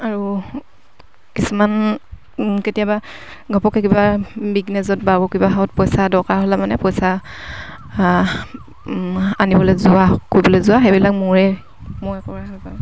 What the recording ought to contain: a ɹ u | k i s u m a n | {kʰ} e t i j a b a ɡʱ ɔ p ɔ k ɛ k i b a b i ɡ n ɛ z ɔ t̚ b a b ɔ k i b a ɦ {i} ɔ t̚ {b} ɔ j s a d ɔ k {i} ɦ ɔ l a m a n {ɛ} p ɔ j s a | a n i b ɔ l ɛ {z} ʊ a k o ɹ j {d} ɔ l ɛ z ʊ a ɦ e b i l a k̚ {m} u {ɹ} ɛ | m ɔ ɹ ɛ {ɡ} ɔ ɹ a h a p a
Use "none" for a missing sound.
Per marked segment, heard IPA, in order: k, a, p, a, ɛ, z, b, m, ɹ, k

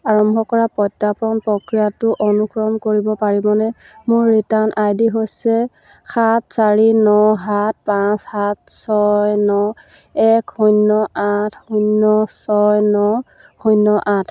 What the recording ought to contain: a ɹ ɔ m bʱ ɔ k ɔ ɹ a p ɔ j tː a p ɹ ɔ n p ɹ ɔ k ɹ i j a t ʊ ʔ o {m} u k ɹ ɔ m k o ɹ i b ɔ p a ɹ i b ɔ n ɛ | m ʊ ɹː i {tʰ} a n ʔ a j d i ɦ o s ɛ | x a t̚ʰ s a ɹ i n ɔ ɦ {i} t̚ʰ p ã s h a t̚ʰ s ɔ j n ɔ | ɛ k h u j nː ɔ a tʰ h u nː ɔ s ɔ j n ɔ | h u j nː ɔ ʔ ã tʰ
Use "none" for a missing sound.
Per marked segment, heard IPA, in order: n, t, a

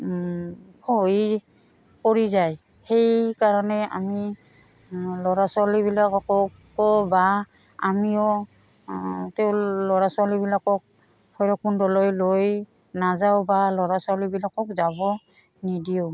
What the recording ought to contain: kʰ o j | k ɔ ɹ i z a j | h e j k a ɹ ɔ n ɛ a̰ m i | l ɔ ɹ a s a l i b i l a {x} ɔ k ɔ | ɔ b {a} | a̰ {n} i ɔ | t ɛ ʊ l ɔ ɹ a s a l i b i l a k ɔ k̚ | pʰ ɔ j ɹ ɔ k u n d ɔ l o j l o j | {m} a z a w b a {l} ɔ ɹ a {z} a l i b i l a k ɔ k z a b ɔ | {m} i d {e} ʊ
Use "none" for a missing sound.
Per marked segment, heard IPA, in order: k, a, m, n, l, s, n, i

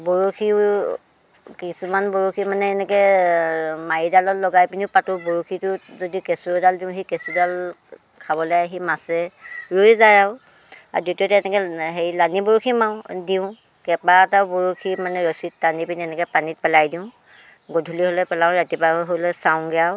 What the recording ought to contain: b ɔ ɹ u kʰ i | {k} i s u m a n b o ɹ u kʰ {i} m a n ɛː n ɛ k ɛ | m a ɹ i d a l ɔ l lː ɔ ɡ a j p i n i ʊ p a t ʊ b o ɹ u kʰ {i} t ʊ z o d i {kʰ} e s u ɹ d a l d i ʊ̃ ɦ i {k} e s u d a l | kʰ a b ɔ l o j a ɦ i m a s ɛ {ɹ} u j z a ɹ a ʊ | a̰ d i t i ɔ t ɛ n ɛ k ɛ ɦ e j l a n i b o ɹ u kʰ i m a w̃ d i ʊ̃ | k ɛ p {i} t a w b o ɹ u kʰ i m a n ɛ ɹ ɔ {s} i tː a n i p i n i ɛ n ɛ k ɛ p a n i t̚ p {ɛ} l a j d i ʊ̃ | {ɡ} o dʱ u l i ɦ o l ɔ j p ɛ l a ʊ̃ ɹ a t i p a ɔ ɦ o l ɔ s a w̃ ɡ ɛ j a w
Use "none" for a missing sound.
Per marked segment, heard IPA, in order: k, i, i, k, k, ɹ, a, s, ɛ, ɡ

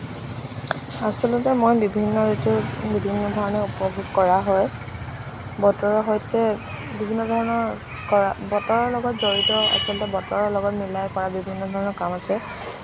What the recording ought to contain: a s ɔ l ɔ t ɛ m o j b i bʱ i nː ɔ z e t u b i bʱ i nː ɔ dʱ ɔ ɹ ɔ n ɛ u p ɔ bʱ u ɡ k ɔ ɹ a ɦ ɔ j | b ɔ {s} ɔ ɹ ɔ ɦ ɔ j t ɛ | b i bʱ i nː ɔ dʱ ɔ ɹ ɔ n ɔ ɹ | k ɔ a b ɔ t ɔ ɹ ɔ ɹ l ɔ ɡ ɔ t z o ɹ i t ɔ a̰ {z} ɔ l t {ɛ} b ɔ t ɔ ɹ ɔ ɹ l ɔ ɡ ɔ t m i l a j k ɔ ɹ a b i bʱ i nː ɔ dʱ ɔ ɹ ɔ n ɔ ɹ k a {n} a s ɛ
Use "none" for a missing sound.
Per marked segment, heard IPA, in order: t, s, ɛ, m

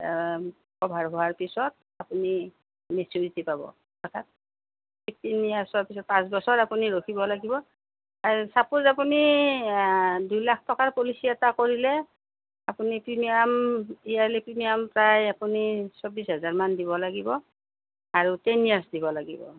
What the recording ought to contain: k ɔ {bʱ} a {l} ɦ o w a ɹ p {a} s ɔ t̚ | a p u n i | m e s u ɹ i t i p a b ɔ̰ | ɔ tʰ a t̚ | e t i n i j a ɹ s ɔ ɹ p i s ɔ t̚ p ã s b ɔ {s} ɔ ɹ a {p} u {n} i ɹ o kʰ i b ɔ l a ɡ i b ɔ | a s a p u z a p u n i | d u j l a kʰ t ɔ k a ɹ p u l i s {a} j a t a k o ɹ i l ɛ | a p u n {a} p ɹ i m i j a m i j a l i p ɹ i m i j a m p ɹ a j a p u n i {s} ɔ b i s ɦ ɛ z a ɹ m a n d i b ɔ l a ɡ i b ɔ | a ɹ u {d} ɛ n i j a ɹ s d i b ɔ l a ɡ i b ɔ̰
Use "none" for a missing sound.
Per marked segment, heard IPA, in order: bʱ, ɹ, i, s, p, n, i, i, s, t

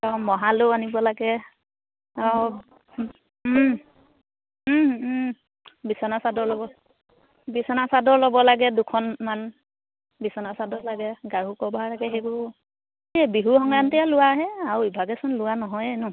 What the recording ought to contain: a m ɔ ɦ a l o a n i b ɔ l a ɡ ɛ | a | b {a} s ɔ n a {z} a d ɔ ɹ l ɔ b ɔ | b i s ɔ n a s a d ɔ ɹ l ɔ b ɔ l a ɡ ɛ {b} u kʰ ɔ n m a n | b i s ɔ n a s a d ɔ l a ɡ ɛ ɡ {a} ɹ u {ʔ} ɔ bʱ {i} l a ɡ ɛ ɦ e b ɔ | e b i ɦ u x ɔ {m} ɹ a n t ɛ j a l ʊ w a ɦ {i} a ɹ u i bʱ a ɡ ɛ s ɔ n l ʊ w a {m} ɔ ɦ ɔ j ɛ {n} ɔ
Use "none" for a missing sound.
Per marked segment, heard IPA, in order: i, s, d, a, k, a, ŋ, ɛ, n, n

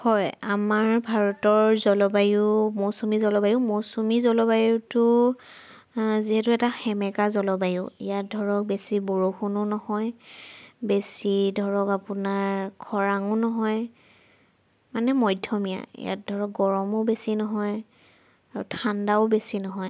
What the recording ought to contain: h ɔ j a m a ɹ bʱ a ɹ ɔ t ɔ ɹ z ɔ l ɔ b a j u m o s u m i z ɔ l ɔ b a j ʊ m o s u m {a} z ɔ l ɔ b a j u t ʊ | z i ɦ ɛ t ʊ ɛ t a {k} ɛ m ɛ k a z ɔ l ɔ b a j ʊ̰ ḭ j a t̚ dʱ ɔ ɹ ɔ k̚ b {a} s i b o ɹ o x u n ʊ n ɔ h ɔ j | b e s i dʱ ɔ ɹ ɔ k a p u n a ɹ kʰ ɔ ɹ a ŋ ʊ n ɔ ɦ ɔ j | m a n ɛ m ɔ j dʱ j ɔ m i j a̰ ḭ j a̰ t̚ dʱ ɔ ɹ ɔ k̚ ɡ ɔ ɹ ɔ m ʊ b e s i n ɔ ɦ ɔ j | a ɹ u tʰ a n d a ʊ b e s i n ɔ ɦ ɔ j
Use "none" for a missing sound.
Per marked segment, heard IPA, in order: i, x, e

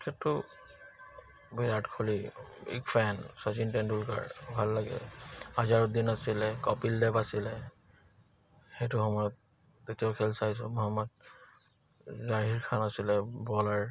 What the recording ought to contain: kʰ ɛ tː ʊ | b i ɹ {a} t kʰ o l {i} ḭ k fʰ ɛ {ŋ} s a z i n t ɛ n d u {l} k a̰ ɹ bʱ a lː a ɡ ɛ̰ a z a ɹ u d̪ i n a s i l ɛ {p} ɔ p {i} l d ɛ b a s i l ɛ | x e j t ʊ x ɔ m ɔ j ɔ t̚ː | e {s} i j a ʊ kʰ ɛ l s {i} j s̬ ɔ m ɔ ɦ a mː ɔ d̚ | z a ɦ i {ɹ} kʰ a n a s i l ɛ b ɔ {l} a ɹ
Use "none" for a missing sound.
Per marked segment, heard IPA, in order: a, i, n, l, k, i, t, a, ɹ, l

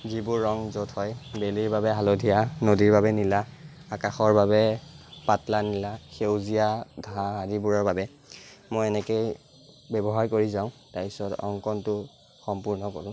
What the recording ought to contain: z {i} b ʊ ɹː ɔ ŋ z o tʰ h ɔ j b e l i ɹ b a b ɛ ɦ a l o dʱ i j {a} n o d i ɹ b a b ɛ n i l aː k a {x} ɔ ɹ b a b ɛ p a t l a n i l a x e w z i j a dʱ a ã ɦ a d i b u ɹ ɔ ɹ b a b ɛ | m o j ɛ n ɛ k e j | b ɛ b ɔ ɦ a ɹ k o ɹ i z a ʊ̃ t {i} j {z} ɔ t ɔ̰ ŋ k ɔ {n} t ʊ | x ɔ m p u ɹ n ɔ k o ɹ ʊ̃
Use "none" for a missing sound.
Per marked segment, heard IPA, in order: i, a, x, a, s, n

